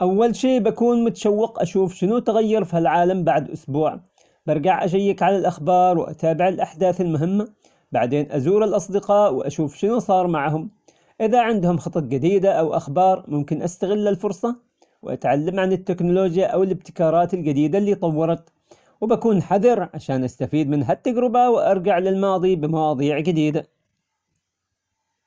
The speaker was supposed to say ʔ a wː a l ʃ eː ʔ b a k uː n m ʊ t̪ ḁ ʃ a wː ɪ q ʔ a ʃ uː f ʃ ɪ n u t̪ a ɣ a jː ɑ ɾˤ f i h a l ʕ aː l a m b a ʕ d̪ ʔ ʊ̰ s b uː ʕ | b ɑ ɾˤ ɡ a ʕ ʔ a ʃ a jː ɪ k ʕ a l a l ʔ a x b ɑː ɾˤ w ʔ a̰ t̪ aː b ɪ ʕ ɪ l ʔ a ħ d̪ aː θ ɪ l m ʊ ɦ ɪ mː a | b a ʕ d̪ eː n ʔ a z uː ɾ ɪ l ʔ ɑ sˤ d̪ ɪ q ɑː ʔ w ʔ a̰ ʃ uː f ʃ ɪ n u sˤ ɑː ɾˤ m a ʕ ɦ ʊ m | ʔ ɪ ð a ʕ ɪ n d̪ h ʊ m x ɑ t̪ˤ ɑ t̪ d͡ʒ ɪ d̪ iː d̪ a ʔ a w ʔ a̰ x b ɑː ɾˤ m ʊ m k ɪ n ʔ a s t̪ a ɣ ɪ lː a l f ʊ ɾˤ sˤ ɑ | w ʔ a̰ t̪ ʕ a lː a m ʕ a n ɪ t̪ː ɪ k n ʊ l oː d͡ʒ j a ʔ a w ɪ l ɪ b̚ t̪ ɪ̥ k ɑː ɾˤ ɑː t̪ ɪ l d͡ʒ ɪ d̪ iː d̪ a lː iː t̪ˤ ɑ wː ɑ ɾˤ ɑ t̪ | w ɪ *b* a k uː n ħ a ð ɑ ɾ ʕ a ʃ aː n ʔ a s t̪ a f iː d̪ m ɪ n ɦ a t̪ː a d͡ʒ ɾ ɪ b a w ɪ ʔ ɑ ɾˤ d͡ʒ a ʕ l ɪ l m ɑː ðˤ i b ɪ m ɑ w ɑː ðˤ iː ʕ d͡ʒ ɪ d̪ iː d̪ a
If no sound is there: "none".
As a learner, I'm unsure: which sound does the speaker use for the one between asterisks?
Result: b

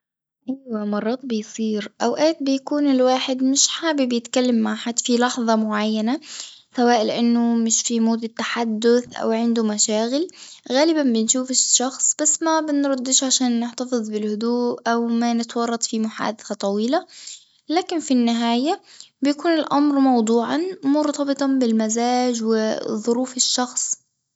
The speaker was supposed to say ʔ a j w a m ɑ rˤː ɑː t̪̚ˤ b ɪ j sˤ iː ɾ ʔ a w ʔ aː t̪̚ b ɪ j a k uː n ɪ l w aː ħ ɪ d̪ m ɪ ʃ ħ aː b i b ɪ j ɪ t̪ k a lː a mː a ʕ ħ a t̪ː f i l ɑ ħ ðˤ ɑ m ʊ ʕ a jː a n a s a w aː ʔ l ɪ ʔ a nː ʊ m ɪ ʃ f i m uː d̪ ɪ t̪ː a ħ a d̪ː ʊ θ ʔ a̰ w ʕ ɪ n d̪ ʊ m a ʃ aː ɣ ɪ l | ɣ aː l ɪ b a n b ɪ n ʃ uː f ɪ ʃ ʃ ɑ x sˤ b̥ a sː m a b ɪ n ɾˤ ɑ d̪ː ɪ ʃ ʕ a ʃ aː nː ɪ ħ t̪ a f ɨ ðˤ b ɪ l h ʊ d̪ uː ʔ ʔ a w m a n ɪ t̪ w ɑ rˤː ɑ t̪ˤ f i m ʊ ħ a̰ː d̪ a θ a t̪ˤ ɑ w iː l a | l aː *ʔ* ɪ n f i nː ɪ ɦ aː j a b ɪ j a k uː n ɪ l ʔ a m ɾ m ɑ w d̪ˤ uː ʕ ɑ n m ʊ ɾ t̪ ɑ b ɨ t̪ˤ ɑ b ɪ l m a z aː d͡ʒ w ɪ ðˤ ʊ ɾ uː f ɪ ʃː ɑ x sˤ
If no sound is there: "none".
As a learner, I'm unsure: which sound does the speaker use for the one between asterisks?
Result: k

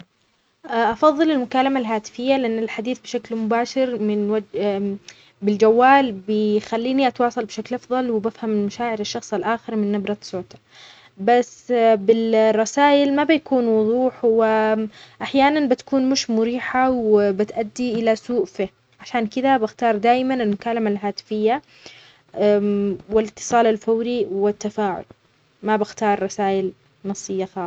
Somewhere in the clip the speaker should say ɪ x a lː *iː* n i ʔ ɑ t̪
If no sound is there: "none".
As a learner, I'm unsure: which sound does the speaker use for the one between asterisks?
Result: iː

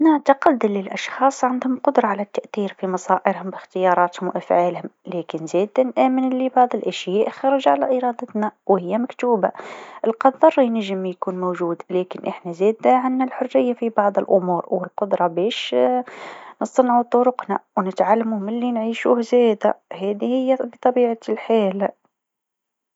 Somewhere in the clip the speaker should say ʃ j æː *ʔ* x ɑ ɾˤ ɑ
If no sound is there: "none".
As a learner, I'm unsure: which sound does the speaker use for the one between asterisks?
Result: ʔ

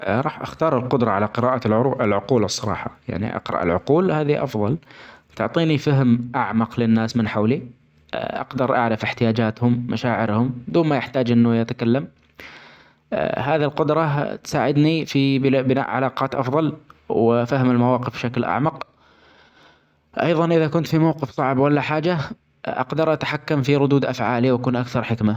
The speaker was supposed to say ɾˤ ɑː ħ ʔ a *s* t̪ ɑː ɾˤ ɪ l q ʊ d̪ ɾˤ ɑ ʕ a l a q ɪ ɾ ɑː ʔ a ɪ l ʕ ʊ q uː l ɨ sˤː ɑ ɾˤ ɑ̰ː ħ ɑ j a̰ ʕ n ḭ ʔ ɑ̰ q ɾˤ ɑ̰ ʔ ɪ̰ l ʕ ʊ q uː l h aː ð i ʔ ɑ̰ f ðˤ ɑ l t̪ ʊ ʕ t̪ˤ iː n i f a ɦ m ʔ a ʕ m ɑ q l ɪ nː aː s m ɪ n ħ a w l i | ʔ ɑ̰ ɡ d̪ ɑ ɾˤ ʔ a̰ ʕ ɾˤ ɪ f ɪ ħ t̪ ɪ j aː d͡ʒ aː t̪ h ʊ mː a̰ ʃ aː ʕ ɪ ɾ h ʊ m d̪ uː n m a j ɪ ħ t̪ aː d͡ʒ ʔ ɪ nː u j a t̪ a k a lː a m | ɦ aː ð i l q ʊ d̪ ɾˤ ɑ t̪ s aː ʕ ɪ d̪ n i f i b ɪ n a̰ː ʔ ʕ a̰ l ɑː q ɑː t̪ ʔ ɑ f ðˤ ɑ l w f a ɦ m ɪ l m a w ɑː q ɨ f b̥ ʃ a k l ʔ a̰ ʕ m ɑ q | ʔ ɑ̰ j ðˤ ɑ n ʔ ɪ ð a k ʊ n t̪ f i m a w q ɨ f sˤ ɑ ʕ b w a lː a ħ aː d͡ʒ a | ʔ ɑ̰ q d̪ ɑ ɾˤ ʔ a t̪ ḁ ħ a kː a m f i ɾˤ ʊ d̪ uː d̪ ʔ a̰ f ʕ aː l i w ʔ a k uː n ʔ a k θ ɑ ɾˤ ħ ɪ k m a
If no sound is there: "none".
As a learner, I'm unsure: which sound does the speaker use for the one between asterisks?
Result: x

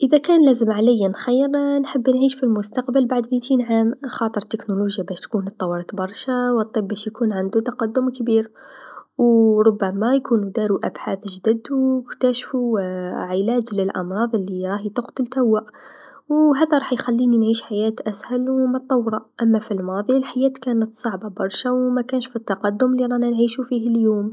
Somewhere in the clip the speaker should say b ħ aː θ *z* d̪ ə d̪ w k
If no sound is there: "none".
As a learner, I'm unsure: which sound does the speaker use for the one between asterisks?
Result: ʒ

